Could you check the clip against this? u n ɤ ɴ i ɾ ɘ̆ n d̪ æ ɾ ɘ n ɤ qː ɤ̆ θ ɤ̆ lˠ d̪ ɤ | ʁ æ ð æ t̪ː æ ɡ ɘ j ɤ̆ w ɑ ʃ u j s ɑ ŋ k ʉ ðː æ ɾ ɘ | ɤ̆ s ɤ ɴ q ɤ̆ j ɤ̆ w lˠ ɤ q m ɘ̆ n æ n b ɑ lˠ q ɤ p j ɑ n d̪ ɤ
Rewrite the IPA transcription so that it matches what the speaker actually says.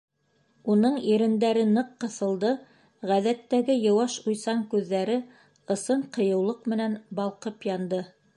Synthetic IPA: u n ɤ ɴ i ɾ ɘ̆ n d̪ æ ɾ ɘ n ɤ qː ɤ̆ θ ɤ̆ lˠ d̪ ɤ | ʁ æ ð æ t̪ː æ ɡ ɘ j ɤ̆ w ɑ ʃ u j s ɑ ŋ k ʉ ðː æ ɾ ɘ | ɤ̆ s ɤ ɴ q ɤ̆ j ɤ̆ w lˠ ɤ q m ɘ̆ n æ n b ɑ lˠ q ɤ p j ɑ n d̪ ɤ